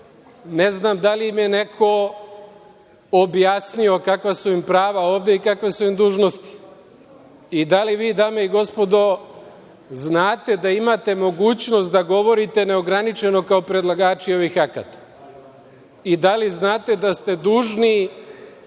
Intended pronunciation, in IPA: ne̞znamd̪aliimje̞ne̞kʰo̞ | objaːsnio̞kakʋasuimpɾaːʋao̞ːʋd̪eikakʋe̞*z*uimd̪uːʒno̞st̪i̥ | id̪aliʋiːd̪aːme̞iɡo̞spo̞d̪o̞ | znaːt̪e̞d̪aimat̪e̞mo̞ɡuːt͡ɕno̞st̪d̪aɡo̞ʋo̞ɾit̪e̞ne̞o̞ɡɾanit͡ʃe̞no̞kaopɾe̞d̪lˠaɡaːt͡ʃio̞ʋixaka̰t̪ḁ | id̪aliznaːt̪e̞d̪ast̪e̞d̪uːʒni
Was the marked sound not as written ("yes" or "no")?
yes